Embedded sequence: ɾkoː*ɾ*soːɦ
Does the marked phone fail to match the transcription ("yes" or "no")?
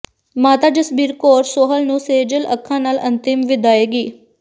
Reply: no